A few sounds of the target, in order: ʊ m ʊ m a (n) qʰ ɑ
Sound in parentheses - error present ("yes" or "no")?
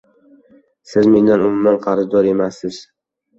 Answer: no